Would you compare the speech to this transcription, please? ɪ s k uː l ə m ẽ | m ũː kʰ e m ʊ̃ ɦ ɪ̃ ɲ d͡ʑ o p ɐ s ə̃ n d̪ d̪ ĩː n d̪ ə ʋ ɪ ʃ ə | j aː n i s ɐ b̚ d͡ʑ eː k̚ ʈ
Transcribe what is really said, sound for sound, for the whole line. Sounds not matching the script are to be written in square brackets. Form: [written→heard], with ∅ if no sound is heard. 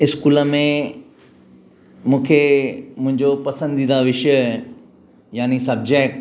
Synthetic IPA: ɪ s k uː l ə m ẽ | m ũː kʰ e m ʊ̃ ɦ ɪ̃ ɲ d͡ʑ o p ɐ s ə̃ n d̪ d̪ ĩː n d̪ [ə→a] ʋ ɪ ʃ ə | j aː n i s ɐ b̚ d͡ʑ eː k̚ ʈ